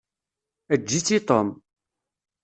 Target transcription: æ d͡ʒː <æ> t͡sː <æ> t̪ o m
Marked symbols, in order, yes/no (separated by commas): no, no